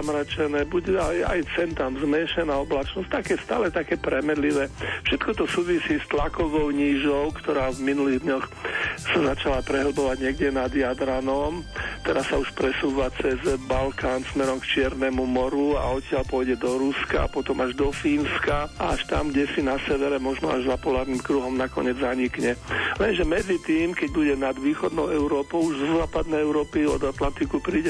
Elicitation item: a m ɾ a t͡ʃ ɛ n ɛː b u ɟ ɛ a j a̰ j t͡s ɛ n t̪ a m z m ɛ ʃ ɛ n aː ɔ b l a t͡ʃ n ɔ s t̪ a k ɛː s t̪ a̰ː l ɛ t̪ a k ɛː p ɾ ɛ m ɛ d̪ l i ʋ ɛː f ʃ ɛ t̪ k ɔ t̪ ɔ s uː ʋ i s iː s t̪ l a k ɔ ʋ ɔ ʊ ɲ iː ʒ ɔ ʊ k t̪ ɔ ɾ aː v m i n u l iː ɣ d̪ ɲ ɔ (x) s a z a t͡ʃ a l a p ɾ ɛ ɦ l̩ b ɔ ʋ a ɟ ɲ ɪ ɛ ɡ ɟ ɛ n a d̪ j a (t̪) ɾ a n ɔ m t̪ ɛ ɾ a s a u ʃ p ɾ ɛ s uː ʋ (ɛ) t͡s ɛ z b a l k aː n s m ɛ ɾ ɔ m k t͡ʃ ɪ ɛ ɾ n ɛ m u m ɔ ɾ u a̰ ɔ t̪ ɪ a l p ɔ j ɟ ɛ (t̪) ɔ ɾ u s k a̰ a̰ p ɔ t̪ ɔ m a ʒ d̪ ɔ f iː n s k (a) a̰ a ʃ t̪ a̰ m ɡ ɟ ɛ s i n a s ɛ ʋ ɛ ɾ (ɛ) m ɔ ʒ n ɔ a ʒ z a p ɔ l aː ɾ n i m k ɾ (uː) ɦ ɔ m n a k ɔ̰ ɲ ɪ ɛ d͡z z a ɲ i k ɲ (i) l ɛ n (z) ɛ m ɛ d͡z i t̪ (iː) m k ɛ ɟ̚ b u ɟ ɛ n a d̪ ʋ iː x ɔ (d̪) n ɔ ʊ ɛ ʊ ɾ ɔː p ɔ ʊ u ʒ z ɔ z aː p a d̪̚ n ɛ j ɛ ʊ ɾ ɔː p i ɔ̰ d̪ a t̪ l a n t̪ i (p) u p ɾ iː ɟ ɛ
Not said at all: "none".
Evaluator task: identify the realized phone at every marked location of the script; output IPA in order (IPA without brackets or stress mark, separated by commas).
x, d̪, a, d̪, a, ɛ, u, ɛ, ʒ, iː, d̪, k